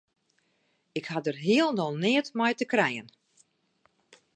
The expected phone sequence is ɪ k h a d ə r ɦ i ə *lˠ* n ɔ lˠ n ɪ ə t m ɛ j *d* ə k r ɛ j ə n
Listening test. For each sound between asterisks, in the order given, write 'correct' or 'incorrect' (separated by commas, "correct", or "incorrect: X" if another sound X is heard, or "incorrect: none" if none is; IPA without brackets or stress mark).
correct, incorrect: t